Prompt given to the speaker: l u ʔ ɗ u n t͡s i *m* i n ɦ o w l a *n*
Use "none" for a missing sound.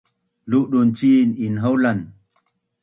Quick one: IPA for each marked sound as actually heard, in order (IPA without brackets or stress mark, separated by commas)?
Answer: n, n